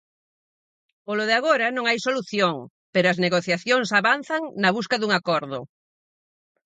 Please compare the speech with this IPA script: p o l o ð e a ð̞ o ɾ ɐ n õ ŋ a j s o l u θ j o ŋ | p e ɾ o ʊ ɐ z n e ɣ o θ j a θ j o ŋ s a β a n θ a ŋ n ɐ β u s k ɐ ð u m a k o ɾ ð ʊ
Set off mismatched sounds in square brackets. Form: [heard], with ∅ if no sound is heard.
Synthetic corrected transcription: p o l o ð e a [ɣ̞] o ɾ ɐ n õ ŋ a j s o l u θ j o ŋ | p e ɾ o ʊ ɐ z n e ɣ o θ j a θ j o ŋ s a β a n θ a ŋ n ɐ β u s k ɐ ð u [ŋ] a k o ɾ ð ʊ